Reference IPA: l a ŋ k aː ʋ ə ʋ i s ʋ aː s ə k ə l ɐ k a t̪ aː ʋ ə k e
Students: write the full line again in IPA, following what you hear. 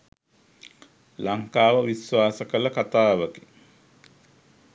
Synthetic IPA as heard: l a ŋ k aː ʋ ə ʋ i s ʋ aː s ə k ə l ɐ k a t̪ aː ʋ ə k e